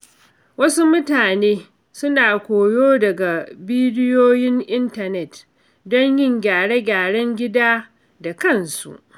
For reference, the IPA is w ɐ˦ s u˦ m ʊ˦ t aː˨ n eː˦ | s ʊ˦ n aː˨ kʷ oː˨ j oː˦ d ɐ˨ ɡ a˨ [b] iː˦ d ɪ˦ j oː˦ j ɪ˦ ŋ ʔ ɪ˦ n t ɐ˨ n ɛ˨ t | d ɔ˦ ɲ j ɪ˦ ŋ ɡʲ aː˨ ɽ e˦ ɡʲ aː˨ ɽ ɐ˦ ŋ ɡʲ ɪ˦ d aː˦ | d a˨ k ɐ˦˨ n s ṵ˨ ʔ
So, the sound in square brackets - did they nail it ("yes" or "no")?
yes